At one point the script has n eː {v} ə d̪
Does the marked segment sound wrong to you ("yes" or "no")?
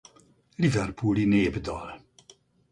yes